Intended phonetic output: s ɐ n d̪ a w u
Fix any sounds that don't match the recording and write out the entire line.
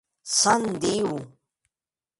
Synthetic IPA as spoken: s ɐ n d̪ i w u